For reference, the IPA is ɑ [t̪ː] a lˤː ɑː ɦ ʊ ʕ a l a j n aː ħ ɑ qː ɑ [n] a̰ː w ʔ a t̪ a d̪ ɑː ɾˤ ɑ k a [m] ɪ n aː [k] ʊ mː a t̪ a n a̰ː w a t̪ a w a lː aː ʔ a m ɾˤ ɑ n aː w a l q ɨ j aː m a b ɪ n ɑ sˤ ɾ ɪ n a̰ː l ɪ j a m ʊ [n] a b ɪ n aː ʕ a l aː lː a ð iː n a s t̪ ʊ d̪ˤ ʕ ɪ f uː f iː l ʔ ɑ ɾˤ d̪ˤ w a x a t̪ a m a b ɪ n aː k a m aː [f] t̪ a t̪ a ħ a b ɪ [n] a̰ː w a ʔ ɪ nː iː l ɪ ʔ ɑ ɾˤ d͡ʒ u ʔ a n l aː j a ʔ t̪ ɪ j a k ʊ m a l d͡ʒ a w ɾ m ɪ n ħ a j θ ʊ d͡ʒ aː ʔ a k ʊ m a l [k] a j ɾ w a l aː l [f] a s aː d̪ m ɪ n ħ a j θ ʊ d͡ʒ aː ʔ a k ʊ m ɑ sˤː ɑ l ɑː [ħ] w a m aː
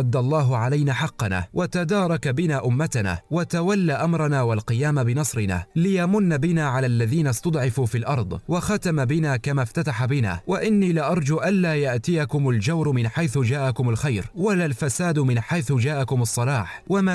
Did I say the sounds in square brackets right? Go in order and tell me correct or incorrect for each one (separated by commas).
incorrect, correct, incorrect, incorrect, incorrect, correct, correct, incorrect, correct, correct